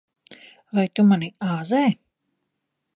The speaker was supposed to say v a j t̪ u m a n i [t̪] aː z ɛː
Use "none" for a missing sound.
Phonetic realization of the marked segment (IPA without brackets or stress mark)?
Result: none